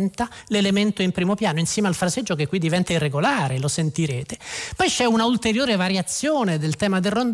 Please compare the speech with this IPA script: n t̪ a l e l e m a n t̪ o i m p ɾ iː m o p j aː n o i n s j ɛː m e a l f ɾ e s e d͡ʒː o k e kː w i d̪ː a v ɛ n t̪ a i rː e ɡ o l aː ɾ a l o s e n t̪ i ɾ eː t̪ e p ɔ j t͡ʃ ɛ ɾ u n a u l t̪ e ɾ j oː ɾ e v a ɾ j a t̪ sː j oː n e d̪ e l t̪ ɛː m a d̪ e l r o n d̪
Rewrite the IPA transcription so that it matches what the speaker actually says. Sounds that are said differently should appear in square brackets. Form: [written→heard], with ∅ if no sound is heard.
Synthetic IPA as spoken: n t̪ a l e l e m [a→e] n t̪ o i m p ɾ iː m o p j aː n o i n s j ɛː m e a l f ɾ [e→a] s e d͡ʒː o k e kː w i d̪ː [a→i] v ɛ n t̪ a i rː e ɡ o l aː ɾ [a→e] l o s e n t̪ i ɾ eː t̪ e p ɔ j t͡ʃ ɛ [ɾ→∅] u n a u l t̪ e ɾ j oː ɾ e v a ɾ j a t̪ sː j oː n e d̪ e l t̪ ɛː m a d̪ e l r o n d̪